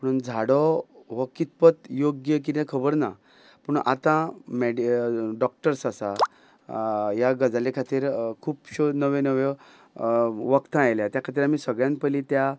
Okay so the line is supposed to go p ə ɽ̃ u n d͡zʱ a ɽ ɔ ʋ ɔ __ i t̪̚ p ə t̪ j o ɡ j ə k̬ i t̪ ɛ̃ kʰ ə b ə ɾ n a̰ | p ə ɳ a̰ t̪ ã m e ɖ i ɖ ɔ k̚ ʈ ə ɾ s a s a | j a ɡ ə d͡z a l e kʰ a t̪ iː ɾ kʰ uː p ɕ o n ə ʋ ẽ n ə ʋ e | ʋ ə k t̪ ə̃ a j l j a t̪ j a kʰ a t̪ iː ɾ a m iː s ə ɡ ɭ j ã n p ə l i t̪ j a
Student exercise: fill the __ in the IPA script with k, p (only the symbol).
k